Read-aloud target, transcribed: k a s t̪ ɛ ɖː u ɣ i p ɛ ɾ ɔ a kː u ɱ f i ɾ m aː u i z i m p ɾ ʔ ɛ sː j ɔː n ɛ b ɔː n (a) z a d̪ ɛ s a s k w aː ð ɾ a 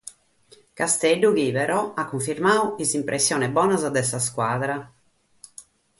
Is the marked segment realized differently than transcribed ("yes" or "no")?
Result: no